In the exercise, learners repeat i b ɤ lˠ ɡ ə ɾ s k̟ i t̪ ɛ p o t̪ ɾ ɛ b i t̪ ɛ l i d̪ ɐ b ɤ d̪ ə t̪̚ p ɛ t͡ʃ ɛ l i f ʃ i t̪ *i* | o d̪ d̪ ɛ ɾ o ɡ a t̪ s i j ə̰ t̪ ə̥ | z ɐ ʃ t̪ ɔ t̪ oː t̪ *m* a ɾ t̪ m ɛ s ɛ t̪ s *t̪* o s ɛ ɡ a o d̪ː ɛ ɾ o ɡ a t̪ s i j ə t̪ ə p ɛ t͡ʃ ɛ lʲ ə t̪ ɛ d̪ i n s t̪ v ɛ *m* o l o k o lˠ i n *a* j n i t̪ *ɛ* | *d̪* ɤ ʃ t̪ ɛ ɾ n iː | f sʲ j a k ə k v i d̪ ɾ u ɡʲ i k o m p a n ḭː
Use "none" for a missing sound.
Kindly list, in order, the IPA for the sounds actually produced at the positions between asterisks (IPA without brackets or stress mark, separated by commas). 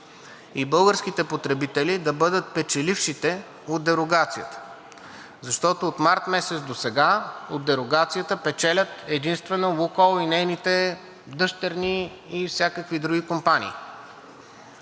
ɛ, m, d̪, n, ɛ, ɛ, d̪